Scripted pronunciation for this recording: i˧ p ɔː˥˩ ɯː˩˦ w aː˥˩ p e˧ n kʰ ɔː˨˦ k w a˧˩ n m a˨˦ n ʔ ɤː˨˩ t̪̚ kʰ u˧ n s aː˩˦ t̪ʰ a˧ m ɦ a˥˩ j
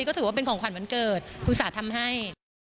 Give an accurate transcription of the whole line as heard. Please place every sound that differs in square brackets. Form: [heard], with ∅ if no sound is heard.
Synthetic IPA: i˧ [k] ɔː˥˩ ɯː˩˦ w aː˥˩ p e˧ n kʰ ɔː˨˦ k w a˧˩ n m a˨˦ n [k] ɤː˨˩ t̪̚ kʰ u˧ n s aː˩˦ t̪ʰ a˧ m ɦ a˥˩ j